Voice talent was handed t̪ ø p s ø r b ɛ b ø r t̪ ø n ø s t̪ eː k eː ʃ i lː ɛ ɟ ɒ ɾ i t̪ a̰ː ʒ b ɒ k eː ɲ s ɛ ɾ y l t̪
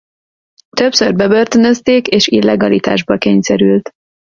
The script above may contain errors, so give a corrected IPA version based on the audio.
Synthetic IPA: t̪ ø p s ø r b ɛ b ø r t̪ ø n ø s t̪ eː k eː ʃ i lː ɛ ɡ ɒ l i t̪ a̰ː ʒ b ɒ k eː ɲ s ɛ ɾ y l t̪